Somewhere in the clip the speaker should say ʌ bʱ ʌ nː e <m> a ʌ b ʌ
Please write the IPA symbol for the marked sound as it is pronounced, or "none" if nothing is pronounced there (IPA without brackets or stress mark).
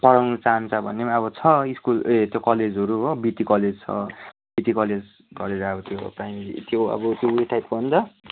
m